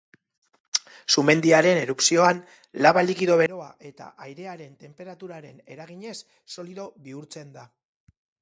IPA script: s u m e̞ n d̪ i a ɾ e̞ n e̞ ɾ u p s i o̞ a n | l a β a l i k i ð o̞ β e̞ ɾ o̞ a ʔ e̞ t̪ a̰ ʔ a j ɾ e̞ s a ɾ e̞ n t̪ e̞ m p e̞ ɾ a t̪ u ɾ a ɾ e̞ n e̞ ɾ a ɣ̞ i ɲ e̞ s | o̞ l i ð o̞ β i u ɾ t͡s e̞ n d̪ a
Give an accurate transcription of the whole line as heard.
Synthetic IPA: s u m e̞ n d̪ i a ɾ e̞ n e̞ ɾ u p s i o̞ a n | l a β a l i k i ð o̞ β e̞ ɾ o̞ a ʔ e̞ t̪ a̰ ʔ a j ɾ e̞ a ɾ e̞ n t̪ e̞ m p e̞ ɾ a t̪ u ɾ a ɾ e̞ n e̞ ɾ a ɣ̞ i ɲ e̞ sː | o̞ l i ð o̞ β i u ɾ t͡s e̞ n d̪ a